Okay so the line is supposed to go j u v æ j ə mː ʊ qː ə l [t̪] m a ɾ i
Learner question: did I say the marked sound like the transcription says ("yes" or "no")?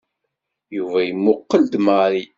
no